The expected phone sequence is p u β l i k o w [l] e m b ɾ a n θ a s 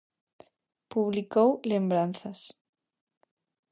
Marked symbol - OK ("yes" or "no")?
yes